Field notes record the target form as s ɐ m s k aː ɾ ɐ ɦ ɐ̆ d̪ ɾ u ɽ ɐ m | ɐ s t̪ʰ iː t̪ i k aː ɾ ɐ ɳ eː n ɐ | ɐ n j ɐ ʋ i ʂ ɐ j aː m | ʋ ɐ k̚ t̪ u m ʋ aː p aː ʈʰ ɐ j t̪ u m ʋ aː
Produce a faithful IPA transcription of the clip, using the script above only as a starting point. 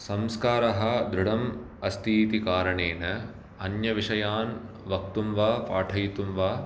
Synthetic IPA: s ɐ m s k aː ɾ ɐ ɦ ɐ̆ d̪ ɾ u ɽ ɐ m | ɐ s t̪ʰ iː t̪ i k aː ɾ ɐ ɳ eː n ɐ | ɐ n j ɐ ʋ i ʂ ɐ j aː n | ʋ ɐ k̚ t̪ u m ʋ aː p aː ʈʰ ɐ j t̪ u m ʋ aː